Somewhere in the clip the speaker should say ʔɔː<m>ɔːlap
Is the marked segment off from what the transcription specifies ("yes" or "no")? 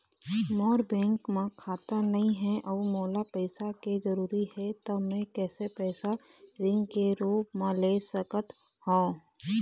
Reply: no